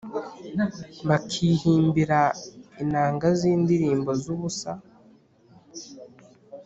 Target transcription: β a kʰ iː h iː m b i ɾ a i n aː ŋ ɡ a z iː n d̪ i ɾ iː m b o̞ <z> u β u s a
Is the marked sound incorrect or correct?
correct